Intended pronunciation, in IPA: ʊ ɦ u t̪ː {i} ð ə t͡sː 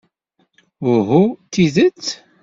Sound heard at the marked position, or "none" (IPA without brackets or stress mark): i